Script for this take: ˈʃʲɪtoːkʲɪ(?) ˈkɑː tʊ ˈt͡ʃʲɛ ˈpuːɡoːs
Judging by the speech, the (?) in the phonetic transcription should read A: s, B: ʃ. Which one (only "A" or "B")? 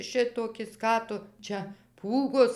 A